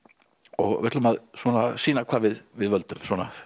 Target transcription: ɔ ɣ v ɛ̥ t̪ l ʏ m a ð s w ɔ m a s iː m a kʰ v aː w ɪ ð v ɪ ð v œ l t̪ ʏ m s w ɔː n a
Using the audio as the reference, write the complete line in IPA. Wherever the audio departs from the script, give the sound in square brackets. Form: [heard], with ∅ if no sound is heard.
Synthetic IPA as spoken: ɔ ɣ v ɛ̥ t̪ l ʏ m a ð s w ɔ [n] a s iː [n] a kʰ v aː [v] ɪ ð v ɪ ð v œ l t̪ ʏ m s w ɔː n a